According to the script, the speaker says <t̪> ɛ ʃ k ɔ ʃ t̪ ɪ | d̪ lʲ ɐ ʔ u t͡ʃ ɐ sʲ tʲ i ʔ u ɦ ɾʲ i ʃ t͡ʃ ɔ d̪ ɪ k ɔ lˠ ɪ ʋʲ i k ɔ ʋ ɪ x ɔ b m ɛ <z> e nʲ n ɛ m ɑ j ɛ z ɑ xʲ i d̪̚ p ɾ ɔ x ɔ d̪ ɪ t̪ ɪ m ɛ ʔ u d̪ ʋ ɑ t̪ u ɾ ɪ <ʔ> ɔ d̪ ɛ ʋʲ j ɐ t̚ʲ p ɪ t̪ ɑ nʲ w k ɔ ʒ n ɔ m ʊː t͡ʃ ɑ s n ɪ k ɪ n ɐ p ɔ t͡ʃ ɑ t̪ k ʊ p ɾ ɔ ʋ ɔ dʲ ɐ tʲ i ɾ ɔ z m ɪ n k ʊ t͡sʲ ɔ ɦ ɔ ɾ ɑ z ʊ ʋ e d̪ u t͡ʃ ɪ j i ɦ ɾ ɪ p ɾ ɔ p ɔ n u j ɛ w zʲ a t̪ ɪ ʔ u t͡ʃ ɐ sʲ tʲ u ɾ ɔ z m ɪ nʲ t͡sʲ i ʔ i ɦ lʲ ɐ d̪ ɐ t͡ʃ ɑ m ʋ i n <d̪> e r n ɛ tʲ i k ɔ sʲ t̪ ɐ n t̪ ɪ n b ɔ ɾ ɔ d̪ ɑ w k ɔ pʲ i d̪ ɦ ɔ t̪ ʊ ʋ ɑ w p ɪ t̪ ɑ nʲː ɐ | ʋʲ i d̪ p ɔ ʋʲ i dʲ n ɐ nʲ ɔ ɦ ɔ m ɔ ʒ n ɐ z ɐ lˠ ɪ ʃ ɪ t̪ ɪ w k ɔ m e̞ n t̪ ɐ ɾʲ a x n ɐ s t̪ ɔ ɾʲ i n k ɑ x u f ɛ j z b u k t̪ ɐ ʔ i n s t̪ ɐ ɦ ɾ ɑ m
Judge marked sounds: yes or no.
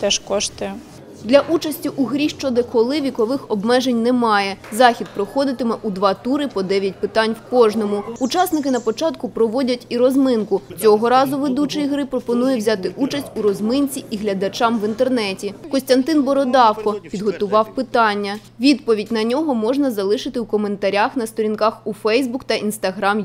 yes, no, no, no

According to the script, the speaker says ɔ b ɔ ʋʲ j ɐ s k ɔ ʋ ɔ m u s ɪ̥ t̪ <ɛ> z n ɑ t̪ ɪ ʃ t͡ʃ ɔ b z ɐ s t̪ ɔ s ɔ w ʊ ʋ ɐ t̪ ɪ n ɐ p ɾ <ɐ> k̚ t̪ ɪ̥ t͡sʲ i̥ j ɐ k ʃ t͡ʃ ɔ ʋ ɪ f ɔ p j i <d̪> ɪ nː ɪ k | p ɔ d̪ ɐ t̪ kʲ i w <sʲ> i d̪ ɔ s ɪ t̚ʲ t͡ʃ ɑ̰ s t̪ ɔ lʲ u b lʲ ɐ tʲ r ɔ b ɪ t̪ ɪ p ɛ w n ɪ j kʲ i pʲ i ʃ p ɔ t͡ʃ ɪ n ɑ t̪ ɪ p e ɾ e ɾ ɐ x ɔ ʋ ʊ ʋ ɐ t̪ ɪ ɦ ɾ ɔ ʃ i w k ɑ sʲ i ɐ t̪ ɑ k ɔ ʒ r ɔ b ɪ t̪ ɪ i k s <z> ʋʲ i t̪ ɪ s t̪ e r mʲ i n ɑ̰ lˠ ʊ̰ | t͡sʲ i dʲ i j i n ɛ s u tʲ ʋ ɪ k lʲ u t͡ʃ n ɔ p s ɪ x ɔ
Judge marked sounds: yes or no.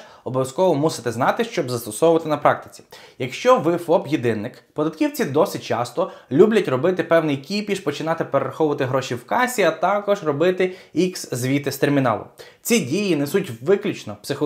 yes, no, yes, no, yes

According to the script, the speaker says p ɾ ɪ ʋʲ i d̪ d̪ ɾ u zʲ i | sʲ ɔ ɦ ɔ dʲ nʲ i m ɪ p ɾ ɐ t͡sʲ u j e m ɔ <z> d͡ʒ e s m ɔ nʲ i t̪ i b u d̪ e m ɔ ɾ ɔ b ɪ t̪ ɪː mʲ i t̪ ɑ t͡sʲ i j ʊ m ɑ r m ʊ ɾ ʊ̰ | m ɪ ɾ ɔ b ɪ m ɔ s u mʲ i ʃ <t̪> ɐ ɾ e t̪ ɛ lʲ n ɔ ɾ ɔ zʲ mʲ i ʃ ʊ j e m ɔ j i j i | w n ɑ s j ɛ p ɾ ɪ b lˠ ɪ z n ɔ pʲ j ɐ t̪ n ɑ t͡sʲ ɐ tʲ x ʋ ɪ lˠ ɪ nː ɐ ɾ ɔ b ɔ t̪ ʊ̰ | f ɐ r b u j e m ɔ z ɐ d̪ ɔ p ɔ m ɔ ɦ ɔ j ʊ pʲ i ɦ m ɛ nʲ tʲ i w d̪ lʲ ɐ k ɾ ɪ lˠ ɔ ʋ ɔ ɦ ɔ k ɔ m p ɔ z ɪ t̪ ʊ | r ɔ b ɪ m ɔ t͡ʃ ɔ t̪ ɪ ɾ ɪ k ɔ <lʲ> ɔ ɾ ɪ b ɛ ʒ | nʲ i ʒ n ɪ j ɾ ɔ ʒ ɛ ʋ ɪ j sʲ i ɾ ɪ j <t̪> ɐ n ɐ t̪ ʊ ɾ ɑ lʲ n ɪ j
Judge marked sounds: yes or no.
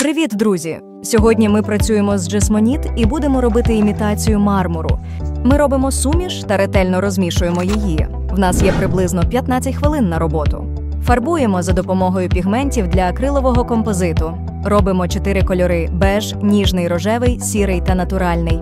yes, yes, yes, yes

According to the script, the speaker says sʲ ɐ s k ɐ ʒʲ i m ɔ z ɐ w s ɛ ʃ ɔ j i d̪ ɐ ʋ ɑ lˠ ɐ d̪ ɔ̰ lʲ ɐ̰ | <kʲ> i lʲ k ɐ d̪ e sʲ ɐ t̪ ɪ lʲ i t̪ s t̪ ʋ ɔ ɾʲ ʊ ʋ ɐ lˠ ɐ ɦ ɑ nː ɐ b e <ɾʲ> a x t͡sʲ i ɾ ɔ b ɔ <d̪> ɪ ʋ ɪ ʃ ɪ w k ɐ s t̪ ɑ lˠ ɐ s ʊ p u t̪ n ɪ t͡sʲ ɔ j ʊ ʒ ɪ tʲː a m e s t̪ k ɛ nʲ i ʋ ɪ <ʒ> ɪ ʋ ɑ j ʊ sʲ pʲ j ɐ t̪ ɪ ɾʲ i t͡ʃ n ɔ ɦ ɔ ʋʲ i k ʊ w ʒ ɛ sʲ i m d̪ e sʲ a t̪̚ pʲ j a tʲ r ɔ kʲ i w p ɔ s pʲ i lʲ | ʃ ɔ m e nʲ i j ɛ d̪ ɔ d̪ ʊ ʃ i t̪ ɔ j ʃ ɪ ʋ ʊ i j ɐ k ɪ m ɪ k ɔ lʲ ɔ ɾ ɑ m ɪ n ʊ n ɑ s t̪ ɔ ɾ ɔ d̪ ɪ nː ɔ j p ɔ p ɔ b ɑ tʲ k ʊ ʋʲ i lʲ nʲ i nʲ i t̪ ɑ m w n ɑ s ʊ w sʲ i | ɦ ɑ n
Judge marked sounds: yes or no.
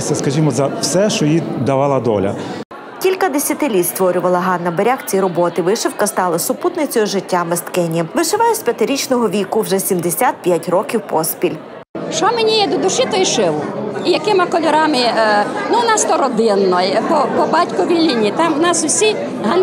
yes, yes, no, no

